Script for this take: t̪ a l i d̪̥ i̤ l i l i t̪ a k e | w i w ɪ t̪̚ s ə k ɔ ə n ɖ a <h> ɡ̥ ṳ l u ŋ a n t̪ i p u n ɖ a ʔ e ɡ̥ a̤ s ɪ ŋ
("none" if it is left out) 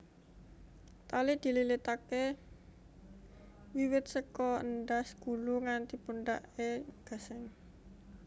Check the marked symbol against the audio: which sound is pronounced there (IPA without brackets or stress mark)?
s